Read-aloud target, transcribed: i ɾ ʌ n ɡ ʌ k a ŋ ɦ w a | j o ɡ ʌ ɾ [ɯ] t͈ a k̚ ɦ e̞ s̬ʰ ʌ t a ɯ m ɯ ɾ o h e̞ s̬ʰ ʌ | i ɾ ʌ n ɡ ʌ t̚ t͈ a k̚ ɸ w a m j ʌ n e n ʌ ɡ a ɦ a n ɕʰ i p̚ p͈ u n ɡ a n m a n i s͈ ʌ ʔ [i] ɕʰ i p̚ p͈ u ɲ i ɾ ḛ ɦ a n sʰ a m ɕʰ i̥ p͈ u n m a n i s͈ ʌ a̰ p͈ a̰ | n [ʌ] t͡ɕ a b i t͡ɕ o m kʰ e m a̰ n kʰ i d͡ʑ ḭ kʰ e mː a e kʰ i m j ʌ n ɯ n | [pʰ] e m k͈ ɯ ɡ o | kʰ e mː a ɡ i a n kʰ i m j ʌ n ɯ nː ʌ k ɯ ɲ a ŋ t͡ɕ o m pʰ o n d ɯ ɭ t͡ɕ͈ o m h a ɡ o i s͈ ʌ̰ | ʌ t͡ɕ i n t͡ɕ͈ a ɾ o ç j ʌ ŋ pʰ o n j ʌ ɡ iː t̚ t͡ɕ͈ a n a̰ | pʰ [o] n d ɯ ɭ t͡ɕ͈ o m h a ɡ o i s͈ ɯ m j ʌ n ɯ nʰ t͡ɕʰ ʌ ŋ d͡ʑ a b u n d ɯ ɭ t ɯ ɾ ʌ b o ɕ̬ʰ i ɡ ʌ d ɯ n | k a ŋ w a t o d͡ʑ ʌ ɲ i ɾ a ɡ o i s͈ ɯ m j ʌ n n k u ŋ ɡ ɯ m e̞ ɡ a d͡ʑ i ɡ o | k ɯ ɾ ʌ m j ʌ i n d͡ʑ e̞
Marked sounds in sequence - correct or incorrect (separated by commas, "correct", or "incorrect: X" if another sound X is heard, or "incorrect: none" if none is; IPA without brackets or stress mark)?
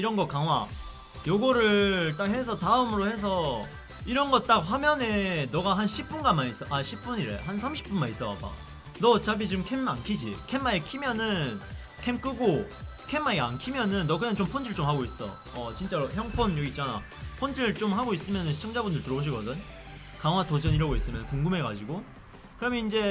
correct, incorrect: a, correct, incorrect: kʰ, correct